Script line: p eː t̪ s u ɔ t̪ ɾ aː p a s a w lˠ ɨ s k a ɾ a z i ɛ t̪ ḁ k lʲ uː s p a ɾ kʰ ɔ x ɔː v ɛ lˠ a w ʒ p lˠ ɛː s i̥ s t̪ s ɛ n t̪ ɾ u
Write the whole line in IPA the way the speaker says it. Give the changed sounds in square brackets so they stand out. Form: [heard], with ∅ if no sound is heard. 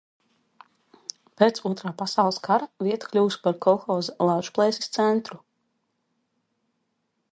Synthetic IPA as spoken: p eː t̪ s u ɔ t̪ ɾ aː p a s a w lˠ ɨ s k a ɾ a [v] i ɛ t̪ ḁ k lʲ uː s p a ɾ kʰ ɔ x ɔː [z] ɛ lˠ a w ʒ p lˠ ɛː s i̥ s t̪ s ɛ n t̪ ɾ u